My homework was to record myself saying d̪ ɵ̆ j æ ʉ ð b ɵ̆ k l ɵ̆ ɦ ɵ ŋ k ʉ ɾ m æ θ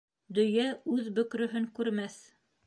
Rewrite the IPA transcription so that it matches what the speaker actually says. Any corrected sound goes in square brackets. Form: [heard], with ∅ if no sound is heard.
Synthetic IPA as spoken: d̪ ɵ̆ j æ ʉ ð b ɵ̆ k [ɾ] ɵ̆ ɦ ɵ ŋ k ʉ ɾ m æ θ